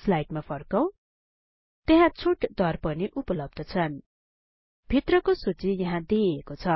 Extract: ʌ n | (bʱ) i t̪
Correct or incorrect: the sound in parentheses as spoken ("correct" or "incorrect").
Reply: correct